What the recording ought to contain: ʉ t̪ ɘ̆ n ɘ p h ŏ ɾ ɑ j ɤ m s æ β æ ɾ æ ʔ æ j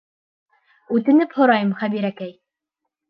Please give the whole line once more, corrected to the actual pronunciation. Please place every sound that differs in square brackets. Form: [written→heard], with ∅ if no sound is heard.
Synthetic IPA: ʉ t̪ ɘ̆ n ɘ p h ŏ ɾ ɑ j ɤ m [s→χ] æ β [æ→i] ɾ æ [ʔ→k] æ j